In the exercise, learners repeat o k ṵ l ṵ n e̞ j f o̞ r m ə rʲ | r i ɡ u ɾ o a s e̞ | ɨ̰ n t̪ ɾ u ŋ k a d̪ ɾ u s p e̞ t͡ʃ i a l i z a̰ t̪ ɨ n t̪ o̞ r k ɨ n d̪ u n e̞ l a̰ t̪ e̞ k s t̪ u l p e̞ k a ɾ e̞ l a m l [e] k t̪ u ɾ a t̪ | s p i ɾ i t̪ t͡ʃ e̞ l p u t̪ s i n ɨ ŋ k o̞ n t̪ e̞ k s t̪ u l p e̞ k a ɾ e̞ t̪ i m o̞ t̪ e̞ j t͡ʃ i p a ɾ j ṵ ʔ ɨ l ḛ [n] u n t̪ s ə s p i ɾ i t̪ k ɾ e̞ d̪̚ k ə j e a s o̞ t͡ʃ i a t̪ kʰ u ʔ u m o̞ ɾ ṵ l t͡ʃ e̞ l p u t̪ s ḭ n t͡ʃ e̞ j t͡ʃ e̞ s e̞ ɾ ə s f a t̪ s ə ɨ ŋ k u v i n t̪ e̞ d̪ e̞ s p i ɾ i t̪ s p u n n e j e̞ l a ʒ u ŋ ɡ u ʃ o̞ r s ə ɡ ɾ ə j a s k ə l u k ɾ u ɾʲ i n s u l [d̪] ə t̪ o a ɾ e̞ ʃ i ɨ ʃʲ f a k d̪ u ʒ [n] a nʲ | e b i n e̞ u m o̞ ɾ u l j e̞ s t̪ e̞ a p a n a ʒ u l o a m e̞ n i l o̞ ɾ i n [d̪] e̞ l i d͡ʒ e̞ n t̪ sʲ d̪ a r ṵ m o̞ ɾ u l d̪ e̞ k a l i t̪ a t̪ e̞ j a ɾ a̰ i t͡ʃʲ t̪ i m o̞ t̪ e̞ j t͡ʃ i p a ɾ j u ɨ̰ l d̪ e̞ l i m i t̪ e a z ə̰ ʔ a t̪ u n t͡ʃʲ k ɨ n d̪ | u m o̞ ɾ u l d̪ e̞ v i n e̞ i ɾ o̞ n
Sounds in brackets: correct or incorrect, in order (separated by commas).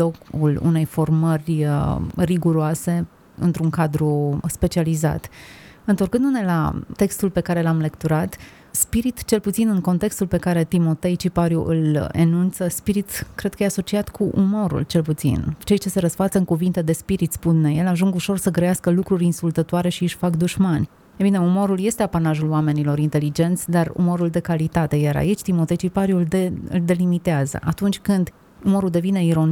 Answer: correct, correct, incorrect, incorrect, incorrect